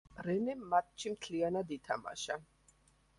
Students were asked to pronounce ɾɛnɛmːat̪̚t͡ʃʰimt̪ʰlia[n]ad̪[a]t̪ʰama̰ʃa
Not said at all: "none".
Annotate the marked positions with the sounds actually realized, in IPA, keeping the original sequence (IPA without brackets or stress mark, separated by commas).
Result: n, i